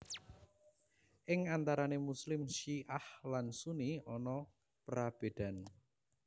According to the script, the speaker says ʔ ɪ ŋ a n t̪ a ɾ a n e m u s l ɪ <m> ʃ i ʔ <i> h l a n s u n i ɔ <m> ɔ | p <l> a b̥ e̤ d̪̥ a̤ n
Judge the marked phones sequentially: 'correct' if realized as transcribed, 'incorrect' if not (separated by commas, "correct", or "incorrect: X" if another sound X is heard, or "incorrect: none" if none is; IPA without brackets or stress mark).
correct, incorrect: a, incorrect: n, incorrect: ɾ